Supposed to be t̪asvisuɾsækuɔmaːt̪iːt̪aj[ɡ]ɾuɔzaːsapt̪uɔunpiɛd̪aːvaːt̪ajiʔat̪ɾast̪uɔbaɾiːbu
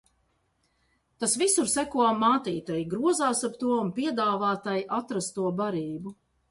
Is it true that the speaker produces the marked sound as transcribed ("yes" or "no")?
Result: yes